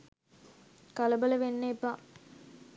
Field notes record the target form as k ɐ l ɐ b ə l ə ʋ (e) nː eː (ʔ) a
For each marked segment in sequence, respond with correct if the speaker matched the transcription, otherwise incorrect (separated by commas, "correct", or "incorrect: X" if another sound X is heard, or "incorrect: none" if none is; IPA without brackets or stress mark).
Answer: correct, incorrect: p